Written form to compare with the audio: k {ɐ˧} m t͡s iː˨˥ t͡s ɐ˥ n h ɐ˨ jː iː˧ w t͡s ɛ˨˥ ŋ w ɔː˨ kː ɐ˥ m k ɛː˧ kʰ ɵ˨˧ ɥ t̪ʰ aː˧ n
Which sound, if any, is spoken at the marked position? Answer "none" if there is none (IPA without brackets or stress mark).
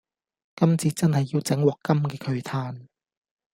ɐ˥